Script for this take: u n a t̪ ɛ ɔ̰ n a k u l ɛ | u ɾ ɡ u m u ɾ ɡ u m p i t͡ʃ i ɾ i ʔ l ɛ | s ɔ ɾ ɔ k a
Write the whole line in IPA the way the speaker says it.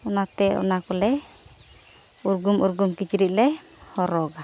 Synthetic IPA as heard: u n a t̪ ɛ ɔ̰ n a k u l ɛ | u ɾ ɡ u m u ɾ ɡ u m k i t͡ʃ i ɾ i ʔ l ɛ | h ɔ ɾ ɔ ɡ a